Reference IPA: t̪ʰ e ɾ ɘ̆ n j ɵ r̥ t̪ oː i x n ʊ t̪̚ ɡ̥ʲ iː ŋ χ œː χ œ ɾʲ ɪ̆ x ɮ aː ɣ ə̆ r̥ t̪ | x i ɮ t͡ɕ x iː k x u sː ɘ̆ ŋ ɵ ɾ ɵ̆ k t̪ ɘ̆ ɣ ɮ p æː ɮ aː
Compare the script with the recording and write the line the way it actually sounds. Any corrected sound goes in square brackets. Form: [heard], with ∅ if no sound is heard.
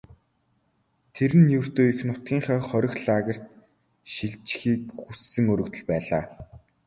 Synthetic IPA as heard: t̪ʰ e ɾ ɘ̆ n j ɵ r̥ t̪ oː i x n ʊ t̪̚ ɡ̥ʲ iː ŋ χ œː χ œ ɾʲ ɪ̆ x ɮ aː ɣ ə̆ r̥ t̪ | [ʃ] i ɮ t͡ɕ x iː k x u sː ɘ̆ ŋ ɵ ɾ ɵ̆ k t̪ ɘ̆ [∅] ɮ p æː ɮ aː

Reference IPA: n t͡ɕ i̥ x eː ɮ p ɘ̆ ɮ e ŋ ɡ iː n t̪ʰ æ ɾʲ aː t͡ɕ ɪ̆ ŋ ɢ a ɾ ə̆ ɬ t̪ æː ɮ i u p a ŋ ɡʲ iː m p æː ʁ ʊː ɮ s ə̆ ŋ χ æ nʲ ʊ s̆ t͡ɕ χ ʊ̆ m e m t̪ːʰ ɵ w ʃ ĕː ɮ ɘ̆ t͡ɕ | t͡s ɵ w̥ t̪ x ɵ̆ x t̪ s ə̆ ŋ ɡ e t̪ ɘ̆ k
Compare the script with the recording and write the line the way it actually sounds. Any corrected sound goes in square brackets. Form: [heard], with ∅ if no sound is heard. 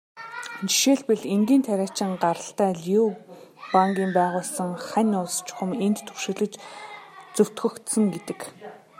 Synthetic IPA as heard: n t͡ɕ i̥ [ʃ] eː ɮ p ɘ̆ ɮ e ŋ ɡ iː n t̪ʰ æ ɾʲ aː t͡ɕ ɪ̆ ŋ ɢ a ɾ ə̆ ɬ t̪ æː ɮ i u p a ŋ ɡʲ iː m p æː ʁ ʊː ɮ s ə̆ ŋ χ æ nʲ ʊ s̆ t͡ɕ χ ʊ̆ m e [n] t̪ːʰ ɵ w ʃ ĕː ɮ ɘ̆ t͡ɕ | t͡s ɵ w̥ t̪ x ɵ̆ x t̪ s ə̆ ŋ ɡ e t̪ ɘ̆ k

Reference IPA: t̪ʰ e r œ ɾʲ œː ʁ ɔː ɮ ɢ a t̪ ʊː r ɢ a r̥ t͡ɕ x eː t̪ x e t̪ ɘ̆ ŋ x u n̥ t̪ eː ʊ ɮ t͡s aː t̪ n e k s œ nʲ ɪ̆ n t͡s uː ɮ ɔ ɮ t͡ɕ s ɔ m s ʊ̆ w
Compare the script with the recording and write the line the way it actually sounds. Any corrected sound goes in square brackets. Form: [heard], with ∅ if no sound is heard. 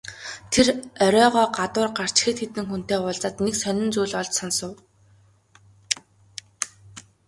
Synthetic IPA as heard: t̪ʰ e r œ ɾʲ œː ʁ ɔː [∅] ɢ a t̪ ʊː r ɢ a r̥ t͡ɕ x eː t̪ x e t̪ ɘ̆ ŋ x u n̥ t̪ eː ʊ ɮ t͡s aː t̪ n e k s œ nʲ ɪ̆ n t͡s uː ɮ ɔ ɮ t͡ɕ s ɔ [n] s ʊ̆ w

